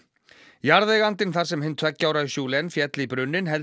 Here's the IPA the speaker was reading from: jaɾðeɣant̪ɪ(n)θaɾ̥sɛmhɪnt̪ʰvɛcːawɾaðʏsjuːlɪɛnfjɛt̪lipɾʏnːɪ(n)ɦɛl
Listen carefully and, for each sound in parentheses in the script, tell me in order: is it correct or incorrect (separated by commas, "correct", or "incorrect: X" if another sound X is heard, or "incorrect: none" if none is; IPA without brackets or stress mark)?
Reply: correct, correct